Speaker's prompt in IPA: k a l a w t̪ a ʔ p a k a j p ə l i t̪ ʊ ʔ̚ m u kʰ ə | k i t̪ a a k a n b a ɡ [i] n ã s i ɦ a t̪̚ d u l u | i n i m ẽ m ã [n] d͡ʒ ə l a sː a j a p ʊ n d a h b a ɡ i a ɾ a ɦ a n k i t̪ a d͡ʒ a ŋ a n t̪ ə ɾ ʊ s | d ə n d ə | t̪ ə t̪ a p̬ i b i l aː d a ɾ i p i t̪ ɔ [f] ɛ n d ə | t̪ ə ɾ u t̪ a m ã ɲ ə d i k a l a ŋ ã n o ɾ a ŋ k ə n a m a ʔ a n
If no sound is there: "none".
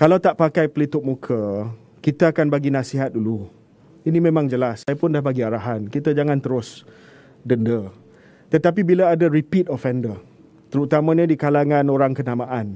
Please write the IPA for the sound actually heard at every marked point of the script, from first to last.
i, ŋ, f

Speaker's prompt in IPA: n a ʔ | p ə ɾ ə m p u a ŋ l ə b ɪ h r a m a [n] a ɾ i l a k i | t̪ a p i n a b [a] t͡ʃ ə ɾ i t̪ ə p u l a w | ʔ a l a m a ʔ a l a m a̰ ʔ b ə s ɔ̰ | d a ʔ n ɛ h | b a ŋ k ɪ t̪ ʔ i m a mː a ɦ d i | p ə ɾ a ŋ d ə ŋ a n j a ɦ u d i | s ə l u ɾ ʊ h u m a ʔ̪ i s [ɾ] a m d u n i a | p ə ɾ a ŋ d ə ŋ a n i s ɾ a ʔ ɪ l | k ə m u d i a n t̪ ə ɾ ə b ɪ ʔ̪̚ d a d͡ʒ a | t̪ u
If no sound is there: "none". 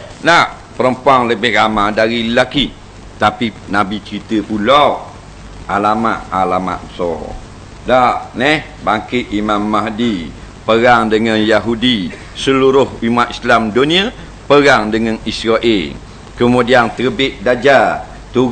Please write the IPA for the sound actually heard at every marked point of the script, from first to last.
d, i, l

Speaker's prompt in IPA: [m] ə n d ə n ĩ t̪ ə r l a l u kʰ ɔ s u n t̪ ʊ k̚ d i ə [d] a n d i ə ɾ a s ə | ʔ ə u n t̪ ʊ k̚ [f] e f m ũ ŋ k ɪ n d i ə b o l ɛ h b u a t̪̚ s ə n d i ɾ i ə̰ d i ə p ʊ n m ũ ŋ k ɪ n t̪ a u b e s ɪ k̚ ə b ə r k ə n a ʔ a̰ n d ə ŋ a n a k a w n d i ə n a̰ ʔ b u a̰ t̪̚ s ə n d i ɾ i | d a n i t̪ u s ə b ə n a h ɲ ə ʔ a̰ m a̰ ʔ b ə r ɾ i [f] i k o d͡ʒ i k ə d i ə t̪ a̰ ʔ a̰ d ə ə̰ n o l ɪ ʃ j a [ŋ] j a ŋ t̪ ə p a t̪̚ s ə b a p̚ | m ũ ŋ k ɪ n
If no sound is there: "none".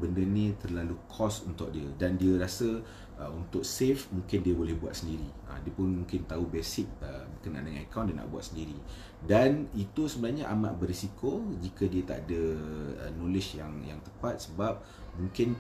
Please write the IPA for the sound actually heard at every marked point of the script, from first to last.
b, d, s, s, ŋ

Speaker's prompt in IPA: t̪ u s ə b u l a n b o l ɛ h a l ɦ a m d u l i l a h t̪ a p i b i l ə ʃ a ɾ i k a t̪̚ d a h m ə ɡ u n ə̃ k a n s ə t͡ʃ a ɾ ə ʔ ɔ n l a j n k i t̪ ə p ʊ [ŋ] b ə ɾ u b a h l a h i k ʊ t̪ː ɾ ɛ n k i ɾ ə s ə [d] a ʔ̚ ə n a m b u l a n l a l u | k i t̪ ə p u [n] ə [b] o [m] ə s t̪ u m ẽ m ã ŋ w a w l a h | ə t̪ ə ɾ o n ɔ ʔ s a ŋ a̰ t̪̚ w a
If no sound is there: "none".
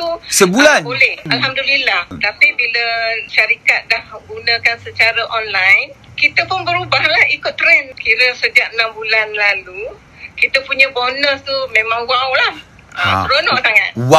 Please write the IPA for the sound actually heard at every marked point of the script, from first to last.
n, d͡ʒ, ɲ, b, n

